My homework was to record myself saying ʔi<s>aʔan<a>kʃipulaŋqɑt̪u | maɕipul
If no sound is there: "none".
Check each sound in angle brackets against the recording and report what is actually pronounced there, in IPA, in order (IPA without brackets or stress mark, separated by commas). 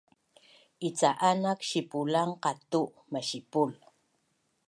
t͡s, a